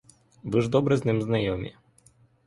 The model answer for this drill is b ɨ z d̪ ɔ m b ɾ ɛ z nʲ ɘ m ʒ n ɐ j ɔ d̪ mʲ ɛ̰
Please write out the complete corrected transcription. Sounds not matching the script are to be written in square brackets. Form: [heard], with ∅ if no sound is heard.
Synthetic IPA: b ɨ [ʐ] d̪ ɔ [∅] b ɾ ɛ z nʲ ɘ m [z] n [a] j ɔ [∅] mʲ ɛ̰